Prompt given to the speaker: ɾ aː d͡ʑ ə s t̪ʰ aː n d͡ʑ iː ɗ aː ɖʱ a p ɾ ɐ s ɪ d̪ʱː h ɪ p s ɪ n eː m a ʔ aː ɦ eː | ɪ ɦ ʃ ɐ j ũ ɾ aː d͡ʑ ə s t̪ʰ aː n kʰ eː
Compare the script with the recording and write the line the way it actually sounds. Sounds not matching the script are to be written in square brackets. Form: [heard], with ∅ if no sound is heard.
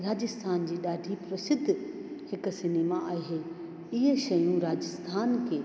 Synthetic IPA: ɾ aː d͡ʑ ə s t̪ʰ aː n d͡ʑ iː ɗ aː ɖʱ [i] p ɾ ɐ s ɪ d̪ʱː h ɪ [k] s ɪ n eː m a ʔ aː ɦ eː | ɪ ɦ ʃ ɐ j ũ ɾ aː d͡ʑ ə s t̪ʰ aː n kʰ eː